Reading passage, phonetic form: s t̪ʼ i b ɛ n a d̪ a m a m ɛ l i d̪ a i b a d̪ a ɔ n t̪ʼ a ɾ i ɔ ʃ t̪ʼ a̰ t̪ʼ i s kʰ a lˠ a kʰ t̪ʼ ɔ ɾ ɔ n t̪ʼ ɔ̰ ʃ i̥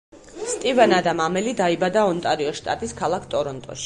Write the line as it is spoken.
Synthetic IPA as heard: s t̪ʼ i v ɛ n a d̪ a m a m ɛ l i d̪ a i b a d̪ a ɔ n t̪ʼ a ɾ i ɔ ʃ t̪ʼ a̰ t̪ʼ i s kʰ a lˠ a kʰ t̪ʼ ɔ ɾ ɔ n t̪ʼ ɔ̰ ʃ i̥